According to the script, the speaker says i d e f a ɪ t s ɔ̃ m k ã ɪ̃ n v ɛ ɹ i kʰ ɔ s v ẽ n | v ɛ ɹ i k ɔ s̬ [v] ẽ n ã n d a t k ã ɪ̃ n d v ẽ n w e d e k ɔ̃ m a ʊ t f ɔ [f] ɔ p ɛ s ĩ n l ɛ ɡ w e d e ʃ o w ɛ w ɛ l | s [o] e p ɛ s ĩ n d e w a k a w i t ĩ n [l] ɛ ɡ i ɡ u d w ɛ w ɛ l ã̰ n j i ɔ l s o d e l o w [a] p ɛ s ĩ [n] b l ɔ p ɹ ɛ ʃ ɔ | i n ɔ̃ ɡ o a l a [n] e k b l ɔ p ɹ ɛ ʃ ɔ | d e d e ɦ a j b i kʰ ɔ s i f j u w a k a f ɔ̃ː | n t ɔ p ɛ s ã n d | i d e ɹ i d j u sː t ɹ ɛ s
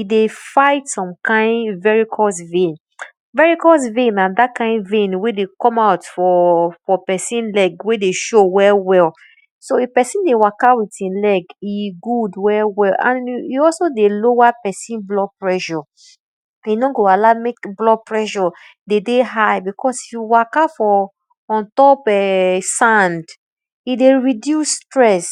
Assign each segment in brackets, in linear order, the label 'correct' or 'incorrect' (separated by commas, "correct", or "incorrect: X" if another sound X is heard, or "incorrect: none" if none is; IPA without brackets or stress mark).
correct, correct, correct, correct, correct, correct, incorrect: m